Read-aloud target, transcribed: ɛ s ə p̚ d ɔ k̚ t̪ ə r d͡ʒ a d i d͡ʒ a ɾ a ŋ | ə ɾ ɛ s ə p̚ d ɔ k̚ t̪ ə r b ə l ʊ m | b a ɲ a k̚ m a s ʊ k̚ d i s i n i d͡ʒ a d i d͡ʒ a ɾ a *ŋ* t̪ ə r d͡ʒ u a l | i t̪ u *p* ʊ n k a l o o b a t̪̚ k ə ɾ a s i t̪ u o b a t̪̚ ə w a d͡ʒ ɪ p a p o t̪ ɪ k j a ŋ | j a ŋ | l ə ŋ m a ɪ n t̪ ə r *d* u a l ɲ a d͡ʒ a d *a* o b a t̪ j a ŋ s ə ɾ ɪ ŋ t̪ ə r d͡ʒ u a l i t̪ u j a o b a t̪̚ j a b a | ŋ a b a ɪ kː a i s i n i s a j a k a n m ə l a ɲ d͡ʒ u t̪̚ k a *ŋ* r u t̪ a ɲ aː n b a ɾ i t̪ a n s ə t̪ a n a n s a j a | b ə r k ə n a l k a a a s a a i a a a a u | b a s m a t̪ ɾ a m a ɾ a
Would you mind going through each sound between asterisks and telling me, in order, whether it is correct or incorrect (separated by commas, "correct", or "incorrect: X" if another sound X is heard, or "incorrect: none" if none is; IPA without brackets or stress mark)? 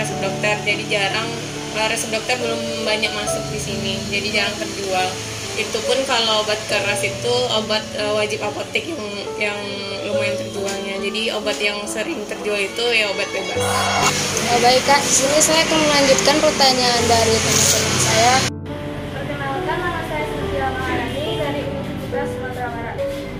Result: correct, correct, incorrect: d͡ʒ, incorrect: i, incorrect: n